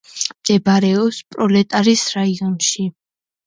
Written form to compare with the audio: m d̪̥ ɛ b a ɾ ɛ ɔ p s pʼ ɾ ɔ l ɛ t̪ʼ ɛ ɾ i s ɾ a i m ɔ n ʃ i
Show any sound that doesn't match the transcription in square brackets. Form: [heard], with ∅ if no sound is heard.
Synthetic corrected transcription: m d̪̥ ɛ b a ɾ ɛ ɔ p s pʼ ɾ ɔ l ɛ t̪ʼ [a] ɾ i s ɾ a i [∅] ɔ n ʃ i